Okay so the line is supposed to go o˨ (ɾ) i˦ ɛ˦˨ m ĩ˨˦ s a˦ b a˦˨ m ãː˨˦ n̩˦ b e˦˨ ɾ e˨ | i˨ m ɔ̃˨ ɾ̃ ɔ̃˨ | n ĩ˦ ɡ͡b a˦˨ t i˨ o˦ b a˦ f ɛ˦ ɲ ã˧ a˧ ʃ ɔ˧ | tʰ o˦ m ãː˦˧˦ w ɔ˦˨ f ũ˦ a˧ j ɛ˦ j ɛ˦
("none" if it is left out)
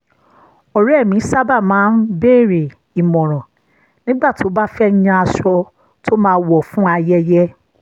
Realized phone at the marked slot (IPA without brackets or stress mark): ɾ